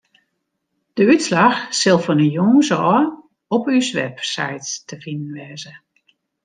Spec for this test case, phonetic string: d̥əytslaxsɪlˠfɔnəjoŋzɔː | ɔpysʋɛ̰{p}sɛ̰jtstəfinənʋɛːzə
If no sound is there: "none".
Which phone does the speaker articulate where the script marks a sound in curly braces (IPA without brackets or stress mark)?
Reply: p